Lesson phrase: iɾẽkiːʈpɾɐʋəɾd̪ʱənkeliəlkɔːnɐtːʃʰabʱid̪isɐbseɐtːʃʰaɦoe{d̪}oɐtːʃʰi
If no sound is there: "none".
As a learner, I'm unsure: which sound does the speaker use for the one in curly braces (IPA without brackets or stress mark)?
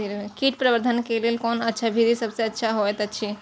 t̪